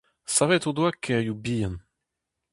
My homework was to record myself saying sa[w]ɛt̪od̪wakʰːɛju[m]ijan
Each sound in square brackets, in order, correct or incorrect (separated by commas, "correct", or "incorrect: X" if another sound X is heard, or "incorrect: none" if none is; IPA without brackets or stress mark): incorrect: v, incorrect: b